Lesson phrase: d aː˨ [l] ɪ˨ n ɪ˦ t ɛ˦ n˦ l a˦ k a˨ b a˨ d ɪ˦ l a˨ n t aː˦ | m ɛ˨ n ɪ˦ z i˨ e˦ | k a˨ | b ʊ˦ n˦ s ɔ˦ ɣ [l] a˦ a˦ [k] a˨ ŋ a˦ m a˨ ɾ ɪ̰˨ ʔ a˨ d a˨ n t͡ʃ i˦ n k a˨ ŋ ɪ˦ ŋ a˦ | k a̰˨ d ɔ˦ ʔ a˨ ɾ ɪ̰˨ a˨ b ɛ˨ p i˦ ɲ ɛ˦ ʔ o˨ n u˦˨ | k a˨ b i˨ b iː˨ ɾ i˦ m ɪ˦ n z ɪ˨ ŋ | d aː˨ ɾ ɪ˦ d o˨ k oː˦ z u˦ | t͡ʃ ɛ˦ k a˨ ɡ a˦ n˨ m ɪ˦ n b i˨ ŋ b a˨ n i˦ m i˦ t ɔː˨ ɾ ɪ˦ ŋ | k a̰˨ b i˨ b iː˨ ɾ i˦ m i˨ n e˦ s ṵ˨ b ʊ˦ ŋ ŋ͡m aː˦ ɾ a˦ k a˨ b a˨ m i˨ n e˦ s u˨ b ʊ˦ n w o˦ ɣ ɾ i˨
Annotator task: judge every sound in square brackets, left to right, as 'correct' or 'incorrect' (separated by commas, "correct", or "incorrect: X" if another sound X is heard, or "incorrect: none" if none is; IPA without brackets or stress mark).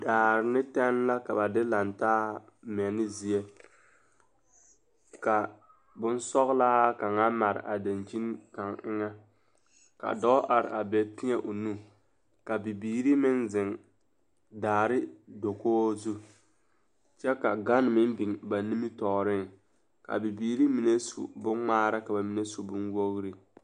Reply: incorrect: ɾ, correct, correct